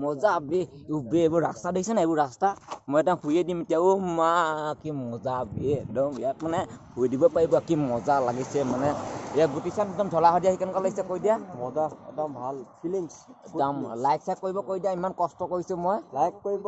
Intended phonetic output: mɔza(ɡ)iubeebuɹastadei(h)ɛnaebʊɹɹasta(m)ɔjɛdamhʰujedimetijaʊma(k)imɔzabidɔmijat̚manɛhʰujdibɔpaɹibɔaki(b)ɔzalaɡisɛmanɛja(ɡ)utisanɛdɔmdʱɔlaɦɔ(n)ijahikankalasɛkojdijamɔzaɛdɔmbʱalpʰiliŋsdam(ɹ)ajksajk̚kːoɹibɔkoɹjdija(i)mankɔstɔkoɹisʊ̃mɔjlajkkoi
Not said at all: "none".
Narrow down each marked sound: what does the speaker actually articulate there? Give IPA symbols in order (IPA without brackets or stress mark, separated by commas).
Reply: b, s, m, k, m, ɡ, d, l, i